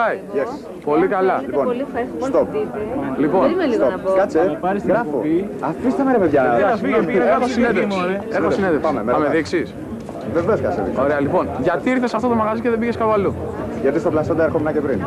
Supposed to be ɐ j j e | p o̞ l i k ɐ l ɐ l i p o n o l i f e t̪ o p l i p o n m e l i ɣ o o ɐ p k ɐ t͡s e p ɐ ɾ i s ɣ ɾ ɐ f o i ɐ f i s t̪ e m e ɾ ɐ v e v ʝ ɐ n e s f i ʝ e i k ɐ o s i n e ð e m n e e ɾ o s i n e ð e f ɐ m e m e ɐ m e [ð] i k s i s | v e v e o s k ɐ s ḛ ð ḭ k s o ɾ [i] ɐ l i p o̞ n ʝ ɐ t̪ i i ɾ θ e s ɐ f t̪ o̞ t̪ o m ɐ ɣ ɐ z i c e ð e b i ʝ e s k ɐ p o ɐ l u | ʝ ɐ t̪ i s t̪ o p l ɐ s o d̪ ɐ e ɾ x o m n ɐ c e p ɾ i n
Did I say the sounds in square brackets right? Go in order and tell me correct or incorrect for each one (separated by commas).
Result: correct, incorrect